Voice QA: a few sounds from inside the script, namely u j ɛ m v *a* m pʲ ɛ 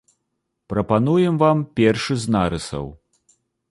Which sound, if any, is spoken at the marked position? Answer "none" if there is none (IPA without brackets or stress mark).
a